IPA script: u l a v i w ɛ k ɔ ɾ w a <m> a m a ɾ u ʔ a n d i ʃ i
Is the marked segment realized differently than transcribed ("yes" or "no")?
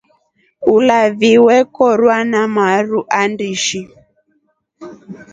yes